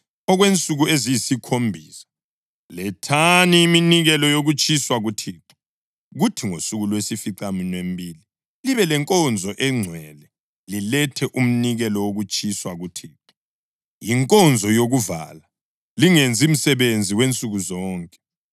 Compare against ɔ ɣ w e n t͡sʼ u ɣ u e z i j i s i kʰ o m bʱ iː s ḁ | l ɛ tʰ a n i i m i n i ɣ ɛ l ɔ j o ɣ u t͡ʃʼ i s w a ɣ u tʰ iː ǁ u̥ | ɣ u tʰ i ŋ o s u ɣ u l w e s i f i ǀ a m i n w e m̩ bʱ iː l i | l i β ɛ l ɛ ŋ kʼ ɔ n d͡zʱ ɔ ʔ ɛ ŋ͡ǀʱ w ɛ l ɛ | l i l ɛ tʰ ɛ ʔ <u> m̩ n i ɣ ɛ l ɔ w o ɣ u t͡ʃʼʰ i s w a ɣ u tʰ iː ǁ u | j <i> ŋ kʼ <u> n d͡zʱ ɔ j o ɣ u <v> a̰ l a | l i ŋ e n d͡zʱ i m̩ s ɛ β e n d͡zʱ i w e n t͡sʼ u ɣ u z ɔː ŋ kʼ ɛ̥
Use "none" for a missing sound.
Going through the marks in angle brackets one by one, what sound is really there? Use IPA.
u, i, ɔ, v

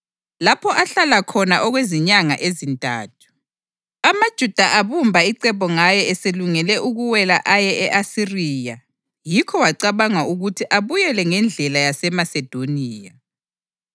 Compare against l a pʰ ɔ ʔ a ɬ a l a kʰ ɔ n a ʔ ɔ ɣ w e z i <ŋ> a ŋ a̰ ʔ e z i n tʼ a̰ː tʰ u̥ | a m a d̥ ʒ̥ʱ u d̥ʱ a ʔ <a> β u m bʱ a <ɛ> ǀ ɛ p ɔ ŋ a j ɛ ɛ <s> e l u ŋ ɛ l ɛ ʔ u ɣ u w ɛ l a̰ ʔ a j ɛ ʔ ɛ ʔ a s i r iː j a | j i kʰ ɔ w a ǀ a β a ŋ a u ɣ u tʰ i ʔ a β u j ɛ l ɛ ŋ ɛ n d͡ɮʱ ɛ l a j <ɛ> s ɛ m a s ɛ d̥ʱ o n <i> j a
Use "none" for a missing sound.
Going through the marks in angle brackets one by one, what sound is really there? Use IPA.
ɲ, a, i, s, a, iː

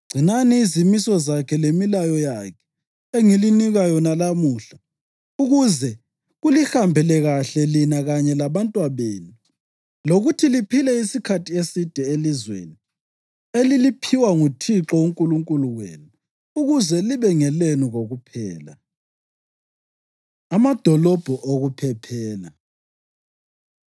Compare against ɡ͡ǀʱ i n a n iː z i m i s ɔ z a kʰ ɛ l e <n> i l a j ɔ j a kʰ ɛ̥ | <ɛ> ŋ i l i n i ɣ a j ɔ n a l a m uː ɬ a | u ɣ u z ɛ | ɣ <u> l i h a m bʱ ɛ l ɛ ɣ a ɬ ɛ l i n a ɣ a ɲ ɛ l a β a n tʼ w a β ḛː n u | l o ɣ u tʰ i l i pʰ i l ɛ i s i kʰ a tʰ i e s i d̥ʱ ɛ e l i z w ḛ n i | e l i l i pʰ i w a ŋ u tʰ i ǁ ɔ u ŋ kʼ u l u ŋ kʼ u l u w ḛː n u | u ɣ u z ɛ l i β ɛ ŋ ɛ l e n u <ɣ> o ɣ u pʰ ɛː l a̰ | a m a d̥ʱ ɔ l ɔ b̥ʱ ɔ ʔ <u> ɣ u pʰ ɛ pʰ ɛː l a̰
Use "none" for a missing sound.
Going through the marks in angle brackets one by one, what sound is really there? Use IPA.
m, e, u, ɣ, o

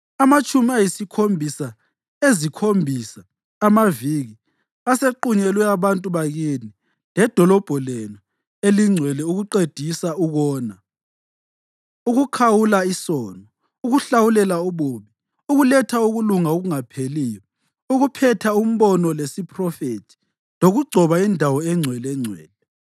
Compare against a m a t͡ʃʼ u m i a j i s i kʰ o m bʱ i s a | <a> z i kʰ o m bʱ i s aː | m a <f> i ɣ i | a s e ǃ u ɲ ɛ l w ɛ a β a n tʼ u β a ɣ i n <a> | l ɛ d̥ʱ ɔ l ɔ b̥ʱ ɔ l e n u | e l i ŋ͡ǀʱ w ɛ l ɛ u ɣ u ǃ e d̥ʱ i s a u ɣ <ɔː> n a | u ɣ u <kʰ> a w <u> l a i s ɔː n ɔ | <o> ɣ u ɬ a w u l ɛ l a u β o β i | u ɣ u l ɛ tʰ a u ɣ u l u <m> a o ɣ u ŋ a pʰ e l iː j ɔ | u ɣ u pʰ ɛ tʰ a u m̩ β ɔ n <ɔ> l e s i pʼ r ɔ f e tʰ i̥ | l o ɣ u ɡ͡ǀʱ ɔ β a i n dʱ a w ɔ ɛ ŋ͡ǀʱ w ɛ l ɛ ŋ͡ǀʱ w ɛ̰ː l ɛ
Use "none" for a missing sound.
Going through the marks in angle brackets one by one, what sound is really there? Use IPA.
e, v, i, ɔː, kʰ, u, u, ŋ, ɔ

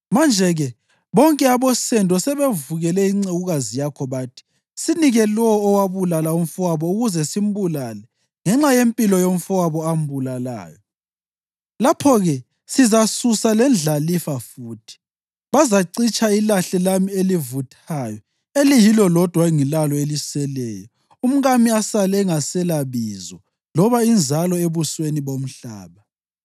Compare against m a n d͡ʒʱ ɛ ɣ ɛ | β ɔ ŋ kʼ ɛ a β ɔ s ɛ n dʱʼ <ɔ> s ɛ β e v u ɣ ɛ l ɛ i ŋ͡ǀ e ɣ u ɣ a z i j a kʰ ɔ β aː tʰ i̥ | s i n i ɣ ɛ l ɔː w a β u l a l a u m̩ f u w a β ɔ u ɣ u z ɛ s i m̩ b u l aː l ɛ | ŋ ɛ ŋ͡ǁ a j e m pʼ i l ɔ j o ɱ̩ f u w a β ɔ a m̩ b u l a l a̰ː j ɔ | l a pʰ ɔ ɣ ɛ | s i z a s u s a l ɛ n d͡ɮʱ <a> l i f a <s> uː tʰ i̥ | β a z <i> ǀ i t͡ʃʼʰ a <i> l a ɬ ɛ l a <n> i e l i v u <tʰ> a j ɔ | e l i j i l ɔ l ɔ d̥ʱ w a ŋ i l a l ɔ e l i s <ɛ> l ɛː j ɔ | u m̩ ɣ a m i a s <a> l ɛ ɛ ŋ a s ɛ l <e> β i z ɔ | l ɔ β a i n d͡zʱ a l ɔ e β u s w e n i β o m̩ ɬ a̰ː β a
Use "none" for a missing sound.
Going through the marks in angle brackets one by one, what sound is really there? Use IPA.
ɔ, a, f, a, i, m, tʰ, ɛ, a, a

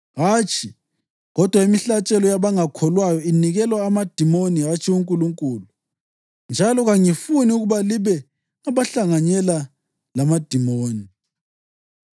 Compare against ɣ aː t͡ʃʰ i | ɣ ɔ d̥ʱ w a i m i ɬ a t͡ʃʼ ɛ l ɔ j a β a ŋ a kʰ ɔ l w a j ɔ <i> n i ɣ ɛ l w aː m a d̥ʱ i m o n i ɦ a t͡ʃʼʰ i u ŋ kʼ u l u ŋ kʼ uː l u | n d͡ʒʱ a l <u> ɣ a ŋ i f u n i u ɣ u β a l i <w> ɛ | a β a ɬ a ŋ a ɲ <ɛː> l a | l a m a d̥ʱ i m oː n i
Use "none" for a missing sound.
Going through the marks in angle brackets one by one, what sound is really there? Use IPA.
i, ɔ, β, ɛ

